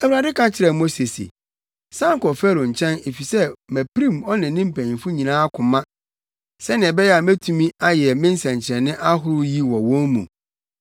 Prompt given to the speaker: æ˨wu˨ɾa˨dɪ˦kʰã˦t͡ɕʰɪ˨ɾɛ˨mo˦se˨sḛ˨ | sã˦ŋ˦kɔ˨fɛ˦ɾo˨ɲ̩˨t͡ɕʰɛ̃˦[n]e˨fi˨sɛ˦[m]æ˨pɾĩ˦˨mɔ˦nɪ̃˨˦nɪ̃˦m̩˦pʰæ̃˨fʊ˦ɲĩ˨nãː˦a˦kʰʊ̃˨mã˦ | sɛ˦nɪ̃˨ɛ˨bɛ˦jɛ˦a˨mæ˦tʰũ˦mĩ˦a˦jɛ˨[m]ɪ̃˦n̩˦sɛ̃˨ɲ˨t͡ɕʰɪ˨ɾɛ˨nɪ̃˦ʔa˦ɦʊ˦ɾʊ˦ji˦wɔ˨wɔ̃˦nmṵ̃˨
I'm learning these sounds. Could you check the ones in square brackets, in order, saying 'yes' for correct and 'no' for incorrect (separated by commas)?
yes, yes, yes